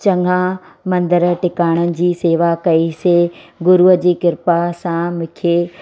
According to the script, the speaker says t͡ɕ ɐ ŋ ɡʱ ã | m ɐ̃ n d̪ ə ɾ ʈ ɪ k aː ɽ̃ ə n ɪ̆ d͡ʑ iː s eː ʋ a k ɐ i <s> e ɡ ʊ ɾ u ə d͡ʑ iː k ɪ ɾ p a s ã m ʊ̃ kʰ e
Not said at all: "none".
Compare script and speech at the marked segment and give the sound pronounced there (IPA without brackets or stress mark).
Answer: s